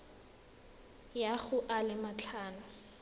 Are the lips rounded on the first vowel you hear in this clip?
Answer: no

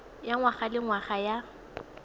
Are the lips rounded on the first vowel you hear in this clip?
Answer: no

